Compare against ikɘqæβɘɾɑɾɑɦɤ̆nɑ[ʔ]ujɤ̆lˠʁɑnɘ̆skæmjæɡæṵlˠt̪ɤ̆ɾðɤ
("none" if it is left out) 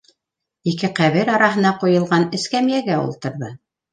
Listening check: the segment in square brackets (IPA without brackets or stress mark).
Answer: q